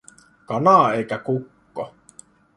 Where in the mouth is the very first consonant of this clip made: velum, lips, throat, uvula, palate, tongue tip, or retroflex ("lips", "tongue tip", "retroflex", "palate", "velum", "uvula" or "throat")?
velum